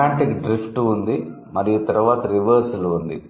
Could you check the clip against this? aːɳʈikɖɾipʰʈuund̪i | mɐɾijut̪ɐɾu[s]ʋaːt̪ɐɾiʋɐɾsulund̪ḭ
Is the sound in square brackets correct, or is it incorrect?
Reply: incorrect